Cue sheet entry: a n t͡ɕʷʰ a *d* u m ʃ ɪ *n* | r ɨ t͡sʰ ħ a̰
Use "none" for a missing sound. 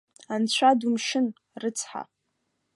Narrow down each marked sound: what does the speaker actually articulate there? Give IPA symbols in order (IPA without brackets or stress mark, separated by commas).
d, n